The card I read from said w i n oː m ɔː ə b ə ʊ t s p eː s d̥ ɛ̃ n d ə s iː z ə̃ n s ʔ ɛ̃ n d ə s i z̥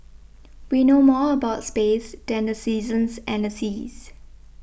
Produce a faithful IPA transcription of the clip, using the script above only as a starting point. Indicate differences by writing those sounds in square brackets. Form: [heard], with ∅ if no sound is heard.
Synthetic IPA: w i n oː m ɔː ə b [a] ʊ t s p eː s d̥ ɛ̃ n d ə s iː z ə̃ n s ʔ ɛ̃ n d ə s i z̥